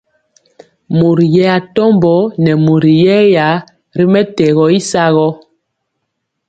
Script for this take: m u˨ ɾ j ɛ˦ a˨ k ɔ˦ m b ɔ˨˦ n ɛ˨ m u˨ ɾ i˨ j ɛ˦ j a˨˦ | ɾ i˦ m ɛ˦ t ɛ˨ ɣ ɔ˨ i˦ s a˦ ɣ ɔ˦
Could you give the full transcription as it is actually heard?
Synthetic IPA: m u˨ ɾ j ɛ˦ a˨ t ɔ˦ m b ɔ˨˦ n ɛ˨ m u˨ ɾ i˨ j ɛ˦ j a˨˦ | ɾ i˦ m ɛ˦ t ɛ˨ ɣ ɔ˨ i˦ s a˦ ɣ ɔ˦